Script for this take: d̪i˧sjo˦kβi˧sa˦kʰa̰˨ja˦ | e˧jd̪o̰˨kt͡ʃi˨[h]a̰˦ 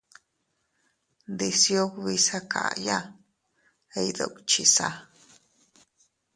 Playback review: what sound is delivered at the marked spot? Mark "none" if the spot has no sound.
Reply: s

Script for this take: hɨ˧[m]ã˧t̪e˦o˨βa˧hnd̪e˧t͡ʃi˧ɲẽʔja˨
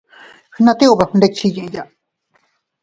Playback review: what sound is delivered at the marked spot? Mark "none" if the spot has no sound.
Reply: n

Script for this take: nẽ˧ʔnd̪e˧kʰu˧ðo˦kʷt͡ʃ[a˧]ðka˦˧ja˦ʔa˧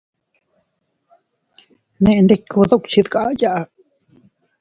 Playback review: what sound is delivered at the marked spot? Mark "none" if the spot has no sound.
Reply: i˧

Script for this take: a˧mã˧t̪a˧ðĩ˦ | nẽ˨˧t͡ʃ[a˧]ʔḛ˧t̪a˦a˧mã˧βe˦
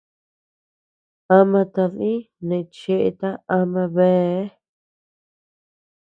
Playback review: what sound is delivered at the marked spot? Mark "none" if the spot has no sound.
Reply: e˧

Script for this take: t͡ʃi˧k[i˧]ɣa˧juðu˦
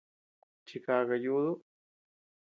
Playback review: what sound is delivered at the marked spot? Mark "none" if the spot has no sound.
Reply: a˧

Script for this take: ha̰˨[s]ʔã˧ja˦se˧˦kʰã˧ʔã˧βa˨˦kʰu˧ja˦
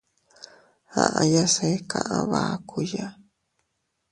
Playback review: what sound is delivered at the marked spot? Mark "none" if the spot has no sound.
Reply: none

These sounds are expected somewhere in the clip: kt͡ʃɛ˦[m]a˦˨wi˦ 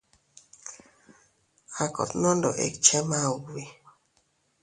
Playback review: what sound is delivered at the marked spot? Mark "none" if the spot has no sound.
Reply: m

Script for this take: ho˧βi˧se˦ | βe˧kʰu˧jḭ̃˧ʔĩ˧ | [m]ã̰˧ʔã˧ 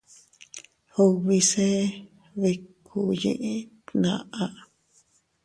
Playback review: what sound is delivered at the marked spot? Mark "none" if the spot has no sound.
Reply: n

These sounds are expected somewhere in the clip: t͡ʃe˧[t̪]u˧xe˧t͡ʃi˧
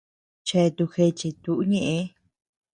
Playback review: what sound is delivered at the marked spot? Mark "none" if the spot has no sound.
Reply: t̪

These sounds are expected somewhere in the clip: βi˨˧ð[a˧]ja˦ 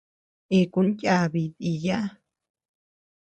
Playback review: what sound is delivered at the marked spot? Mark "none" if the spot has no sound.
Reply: i˧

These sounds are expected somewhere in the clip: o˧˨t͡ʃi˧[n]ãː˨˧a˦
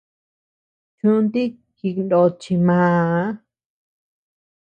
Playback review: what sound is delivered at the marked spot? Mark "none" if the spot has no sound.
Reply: m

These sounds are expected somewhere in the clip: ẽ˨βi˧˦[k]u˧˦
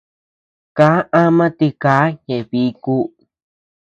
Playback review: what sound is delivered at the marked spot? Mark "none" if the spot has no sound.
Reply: k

